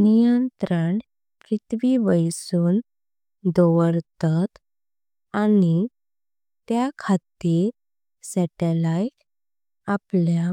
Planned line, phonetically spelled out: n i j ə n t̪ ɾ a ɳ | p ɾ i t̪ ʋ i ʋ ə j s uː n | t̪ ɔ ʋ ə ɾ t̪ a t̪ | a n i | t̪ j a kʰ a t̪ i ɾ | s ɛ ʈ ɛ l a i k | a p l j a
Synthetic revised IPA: n i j ə n t̪ ɾ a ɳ | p ɾ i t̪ ʋ i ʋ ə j s uː n | d̪ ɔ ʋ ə ɾ t̪ a t̪ | a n i | t̪ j a kʰ a t̪ i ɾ | s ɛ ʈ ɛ l a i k | a p l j a

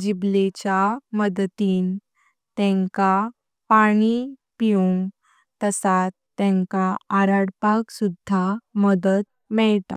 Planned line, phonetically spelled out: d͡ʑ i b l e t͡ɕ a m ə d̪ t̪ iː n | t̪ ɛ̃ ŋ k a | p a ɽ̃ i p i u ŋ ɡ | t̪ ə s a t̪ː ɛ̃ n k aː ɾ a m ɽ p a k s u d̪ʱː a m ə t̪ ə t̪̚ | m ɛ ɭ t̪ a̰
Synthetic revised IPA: d͡ʑ i b l e t͡ɕ a m ə d̪ t̪ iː n | t̪ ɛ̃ ŋ k a | p a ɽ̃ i p i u ŋ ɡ | t̪ ə s a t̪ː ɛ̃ ŋ k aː ɾ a ɽ p a k s u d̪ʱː a m ə d̪ ə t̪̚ | m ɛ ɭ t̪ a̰

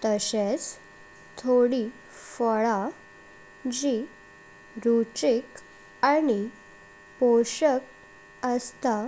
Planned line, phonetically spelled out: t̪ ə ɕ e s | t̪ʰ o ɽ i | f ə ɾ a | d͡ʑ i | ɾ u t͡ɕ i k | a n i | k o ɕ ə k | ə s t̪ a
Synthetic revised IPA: t̪ ə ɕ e t͡s | t̪ʰ o ɽ i | f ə ɭ a | d͡ʑ i | ɾ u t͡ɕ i k | a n i | p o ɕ ə k | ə s t̪ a

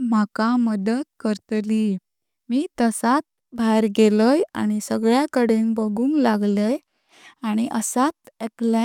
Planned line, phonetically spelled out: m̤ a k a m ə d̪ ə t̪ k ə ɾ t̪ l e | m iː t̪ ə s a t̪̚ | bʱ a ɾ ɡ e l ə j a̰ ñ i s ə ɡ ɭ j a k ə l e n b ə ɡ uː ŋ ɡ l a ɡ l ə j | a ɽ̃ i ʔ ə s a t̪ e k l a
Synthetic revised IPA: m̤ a k a m ə d̪ ə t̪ k ə ɾ t̪ l i | m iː t̪ ə s a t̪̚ | bʱ a ɾ ɡ e l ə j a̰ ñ i s ə ɡ ɭ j a k ə ɽ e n b ə ɡ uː ŋ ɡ l a ɡ l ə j | a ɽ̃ i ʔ ə s a t̪ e k l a

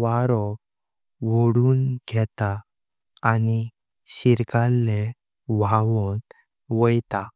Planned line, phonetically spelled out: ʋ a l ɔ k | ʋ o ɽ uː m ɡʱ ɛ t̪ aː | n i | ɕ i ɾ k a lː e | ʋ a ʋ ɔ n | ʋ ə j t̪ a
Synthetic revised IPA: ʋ a ɾ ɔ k | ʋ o ɽ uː n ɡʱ ɛ t̪ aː | n i | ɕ i ɾ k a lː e | ʋ a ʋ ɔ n | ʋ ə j t̪ a

